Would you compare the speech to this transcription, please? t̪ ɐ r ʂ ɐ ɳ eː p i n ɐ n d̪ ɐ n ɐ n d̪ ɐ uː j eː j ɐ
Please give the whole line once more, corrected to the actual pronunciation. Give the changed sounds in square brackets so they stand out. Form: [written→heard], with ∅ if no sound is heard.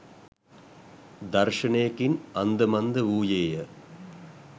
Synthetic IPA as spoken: [t̪→d̪] ɐ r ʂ ɐ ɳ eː [p→k] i n ɐ n d̪ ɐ [n→m] ɐ n d̪ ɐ uː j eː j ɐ